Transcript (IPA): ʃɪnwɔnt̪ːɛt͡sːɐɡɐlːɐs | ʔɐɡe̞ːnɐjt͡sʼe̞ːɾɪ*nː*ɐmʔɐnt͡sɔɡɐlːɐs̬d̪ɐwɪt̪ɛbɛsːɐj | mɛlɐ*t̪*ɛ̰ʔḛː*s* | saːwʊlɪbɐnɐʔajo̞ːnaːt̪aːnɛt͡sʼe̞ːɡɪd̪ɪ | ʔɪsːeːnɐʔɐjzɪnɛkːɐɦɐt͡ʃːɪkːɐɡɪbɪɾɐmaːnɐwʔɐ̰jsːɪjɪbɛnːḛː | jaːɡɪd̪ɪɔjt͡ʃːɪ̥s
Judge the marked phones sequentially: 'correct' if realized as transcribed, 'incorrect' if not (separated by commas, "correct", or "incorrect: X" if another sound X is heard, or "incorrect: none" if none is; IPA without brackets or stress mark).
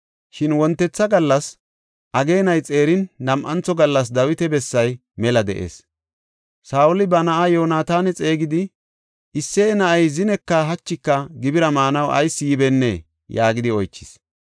correct, incorrect: d̪, correct